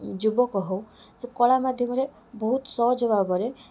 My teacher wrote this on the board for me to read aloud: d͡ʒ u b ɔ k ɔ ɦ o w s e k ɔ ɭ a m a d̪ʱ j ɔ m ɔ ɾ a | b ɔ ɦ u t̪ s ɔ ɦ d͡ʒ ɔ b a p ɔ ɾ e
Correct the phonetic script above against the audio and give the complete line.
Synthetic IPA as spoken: d͡ʒ u b ɔ k ɔ ɦ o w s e k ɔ ɭ a m a d̪ʱ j ɔ m ɔ ɾ e | b ɔ ɦ u t̪ s ɔ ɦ d͡ʒ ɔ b a b ɔ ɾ e